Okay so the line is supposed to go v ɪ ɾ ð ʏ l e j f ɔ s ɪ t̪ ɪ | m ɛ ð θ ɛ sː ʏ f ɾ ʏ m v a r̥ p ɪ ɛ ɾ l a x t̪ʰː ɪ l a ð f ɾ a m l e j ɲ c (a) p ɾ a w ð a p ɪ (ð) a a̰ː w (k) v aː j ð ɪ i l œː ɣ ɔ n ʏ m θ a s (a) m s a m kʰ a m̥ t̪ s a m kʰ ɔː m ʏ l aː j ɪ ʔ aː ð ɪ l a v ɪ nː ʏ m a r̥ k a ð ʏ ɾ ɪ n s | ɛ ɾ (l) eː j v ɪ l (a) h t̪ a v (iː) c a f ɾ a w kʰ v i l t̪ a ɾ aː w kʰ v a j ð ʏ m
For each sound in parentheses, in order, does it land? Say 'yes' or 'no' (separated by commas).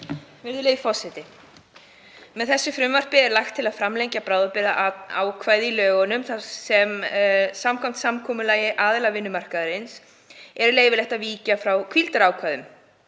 yes, yes, no, no, yes, no, yes